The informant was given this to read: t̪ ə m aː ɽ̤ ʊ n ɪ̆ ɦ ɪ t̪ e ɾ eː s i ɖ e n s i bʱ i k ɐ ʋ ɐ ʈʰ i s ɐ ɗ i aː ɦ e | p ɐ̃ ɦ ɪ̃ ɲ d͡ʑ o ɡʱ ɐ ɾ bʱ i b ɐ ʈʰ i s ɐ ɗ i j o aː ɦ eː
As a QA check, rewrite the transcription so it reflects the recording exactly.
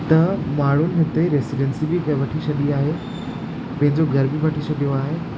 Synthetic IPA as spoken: t̪ ɐ m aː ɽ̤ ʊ n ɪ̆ ɦ ɪ t̪ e ɾ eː s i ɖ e n s i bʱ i k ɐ ʋ ɐ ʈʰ i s ɐ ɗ i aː ɦ e | p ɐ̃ ɦ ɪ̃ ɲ d͡ʑ o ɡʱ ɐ ɾ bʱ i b ɐ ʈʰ i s ɐ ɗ i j o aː ɦ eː